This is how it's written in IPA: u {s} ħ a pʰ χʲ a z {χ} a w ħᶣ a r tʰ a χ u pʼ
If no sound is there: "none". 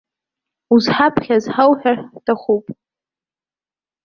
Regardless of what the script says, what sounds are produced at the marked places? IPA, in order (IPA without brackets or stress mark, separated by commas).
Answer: z, ħ